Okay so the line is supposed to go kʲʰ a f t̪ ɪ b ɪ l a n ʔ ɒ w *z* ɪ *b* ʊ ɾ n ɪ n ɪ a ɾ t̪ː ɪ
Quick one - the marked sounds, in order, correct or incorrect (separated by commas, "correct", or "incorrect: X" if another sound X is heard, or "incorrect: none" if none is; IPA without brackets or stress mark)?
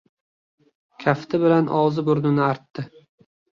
correct, correct